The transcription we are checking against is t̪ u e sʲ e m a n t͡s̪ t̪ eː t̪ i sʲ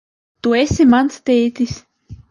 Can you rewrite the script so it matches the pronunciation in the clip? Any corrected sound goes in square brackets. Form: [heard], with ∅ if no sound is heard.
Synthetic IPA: t̪ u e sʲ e m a n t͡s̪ t̪ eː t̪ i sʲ